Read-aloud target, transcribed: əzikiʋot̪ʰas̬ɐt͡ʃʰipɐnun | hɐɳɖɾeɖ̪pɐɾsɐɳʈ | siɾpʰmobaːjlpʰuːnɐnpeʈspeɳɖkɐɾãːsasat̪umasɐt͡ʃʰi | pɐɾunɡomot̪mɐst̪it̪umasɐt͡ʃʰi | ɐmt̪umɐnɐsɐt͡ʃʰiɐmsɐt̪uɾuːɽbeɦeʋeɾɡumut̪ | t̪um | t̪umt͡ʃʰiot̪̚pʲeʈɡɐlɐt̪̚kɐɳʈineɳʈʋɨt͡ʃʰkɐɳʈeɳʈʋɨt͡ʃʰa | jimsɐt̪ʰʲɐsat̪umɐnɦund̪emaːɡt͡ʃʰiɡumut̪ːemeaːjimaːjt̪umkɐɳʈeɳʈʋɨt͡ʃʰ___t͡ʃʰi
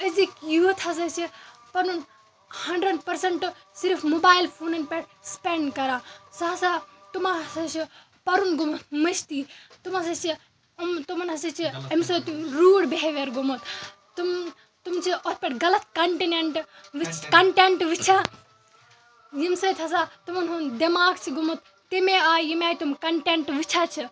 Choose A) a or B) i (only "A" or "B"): A